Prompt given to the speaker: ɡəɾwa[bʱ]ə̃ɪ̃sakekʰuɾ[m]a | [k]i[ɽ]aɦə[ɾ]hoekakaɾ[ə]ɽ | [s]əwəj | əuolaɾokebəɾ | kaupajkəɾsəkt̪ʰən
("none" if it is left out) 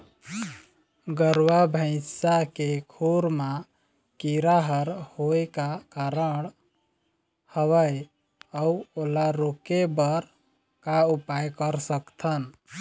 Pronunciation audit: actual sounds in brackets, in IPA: bʱ, m, k, ɾ, ɾ, ə, h

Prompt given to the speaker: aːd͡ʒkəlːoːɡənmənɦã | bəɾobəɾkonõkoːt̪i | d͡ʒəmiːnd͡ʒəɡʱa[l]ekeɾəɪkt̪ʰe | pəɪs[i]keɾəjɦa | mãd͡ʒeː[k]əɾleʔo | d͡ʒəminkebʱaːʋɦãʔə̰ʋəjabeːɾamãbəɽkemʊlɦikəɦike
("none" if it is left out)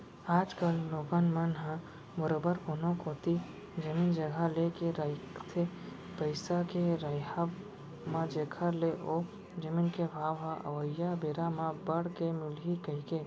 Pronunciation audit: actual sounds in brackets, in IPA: l, a, kʰ

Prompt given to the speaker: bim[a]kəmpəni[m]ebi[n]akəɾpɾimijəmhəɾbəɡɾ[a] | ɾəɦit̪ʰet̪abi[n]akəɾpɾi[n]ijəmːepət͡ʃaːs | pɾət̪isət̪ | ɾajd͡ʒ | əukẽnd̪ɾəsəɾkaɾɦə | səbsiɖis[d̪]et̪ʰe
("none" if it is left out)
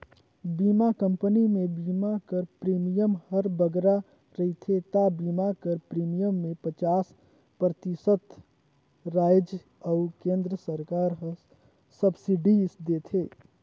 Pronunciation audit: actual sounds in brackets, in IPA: a, m, m, a, m, m, d̪

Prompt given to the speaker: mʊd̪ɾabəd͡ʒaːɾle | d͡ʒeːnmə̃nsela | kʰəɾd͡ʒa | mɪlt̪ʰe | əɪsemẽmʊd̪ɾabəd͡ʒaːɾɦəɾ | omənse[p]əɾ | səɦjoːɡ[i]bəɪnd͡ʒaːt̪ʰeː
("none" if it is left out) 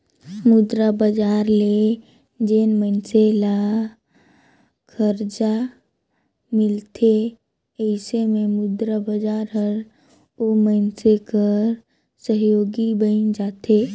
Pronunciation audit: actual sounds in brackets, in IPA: k, i

